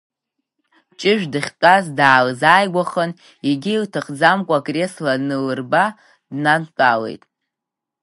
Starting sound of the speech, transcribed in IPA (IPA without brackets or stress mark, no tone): t͡ʃʼ